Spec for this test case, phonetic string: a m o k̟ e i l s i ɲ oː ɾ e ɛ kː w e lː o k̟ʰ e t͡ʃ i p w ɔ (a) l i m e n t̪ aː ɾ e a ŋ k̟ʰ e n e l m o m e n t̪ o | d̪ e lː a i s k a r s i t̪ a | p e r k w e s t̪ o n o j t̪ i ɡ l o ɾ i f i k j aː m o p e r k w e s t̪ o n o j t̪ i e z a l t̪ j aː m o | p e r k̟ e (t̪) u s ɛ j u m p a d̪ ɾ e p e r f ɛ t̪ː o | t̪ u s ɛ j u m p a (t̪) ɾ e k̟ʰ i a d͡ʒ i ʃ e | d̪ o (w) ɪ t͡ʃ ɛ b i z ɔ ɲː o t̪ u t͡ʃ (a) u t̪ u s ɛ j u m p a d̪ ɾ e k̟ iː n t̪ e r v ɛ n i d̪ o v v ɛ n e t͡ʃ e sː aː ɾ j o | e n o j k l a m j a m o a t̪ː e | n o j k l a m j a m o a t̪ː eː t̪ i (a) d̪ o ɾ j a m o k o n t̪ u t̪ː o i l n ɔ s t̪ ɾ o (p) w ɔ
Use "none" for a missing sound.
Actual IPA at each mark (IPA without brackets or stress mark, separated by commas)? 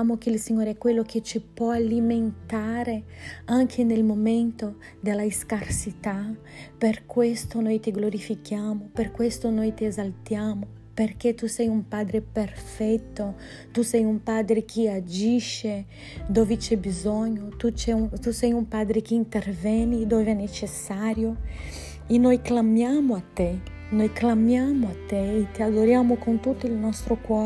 a, t̪, d̪, v, ɛ, a, k